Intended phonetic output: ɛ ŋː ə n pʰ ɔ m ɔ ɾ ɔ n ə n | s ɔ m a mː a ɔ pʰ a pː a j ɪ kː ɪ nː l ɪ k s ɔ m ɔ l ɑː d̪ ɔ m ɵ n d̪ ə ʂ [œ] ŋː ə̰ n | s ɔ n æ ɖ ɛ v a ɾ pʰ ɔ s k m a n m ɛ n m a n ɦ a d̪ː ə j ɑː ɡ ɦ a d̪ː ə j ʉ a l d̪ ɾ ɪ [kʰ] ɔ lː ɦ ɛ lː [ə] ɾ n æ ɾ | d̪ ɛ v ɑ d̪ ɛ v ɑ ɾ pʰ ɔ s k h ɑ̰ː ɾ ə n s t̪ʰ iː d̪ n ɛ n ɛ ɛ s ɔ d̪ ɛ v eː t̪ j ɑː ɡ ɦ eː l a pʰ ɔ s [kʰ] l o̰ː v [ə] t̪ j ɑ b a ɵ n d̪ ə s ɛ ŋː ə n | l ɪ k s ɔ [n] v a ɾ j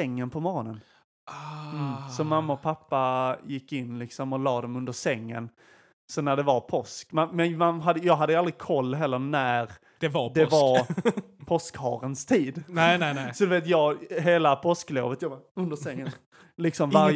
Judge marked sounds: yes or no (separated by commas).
no, yes, yes, no, yes, no